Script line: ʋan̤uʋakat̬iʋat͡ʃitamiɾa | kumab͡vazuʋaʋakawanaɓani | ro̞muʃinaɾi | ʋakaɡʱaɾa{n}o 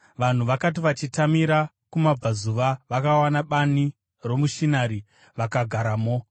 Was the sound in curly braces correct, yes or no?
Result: no